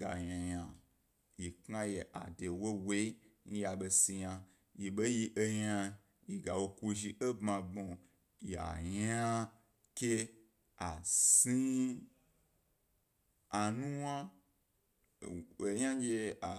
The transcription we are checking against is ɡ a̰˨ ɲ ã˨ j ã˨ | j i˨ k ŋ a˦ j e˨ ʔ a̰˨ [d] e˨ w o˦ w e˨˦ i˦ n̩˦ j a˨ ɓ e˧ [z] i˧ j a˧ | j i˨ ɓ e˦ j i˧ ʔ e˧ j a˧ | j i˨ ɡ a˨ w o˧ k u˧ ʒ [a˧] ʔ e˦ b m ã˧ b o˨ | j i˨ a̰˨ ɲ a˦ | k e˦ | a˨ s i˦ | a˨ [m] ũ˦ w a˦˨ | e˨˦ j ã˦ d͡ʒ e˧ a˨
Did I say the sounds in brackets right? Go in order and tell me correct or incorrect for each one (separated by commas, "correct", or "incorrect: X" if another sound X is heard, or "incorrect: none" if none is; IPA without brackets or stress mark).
correct, incorrect: s, incorrect: i˧, incorrect: n